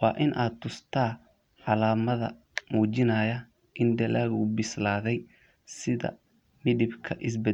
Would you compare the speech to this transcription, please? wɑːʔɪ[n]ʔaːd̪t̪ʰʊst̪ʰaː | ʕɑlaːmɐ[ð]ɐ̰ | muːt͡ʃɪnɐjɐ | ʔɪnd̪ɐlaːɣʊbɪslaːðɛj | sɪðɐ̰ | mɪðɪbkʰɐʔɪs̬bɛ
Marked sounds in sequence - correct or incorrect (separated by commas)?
correct, correct